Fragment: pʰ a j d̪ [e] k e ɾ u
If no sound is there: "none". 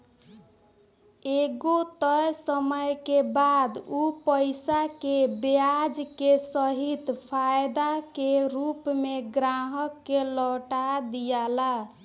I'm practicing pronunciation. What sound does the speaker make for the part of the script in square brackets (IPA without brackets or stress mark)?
a